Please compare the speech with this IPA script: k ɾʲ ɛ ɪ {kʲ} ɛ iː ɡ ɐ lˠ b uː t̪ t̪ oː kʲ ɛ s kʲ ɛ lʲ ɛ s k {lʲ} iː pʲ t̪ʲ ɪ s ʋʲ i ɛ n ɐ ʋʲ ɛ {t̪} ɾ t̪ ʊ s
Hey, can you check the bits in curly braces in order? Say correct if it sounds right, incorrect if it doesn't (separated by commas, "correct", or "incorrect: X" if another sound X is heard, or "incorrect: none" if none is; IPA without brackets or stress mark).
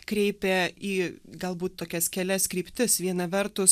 incorrect: pʲ, incorrect: ɾʲ, incorrect: none